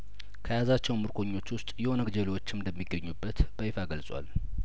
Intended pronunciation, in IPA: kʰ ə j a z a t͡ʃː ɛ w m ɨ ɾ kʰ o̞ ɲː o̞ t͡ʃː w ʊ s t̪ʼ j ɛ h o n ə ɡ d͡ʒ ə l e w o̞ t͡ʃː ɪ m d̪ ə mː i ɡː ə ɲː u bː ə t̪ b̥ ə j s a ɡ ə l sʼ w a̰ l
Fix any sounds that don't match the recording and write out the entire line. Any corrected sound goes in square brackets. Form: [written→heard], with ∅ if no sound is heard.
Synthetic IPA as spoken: kʰ ə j a z a t͡ʃː ɛ w m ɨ ɾ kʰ o̞ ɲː o̞ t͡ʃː w ʊ s t̪ʼ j ɛ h o n ə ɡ d͡ʒ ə l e w o̞ t͡ʃː ɪ m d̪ ə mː i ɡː ə ɲː u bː ə t̪ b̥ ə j [s→f] a ɡ ə l sʼ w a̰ l